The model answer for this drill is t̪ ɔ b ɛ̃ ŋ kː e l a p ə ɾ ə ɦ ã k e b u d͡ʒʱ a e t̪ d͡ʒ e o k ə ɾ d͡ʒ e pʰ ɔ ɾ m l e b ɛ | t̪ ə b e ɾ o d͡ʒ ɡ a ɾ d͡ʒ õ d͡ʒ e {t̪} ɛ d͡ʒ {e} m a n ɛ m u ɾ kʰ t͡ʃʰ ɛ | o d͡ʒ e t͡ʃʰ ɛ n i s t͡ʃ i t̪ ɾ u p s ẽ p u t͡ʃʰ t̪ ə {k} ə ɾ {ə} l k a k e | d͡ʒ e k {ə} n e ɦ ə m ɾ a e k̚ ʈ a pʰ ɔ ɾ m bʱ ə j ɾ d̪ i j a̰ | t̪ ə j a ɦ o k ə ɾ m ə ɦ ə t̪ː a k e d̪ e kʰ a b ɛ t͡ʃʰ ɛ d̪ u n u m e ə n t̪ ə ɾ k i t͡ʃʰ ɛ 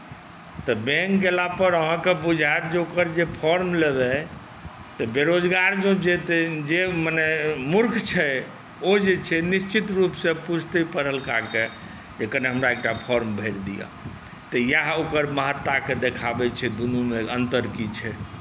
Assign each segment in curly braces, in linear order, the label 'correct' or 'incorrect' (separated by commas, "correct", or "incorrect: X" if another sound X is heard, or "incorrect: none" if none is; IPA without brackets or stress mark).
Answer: correct, correct, incorrect: p, correct, correct